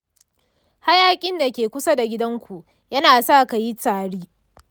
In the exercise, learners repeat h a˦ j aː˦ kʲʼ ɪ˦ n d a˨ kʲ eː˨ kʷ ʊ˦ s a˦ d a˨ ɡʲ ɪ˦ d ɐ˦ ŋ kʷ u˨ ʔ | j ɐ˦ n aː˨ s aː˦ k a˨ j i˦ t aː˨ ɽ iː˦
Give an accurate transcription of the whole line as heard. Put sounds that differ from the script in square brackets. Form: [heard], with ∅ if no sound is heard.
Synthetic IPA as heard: h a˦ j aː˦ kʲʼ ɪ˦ n d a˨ kʲ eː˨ kʷ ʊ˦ s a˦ d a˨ ɡʲ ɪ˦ d ɐ˦ ŋ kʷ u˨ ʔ | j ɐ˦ n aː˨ s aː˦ k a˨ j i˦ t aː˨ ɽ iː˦